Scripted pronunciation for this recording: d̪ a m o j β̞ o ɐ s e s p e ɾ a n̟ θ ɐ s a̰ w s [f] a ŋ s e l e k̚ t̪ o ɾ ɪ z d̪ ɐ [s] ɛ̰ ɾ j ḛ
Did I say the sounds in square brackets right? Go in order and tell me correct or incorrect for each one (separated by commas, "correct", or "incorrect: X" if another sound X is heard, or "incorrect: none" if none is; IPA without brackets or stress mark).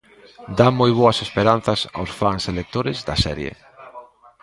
correct, correct